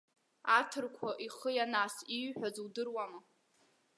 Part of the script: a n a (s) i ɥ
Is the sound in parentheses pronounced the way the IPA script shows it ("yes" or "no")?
yes